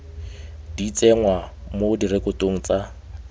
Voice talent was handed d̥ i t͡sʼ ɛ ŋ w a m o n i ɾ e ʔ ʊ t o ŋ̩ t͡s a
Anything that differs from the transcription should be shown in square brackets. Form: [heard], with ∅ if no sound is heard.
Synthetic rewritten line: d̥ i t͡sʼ ɛ ŋ w a m o [d] i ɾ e [k] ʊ t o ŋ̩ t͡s a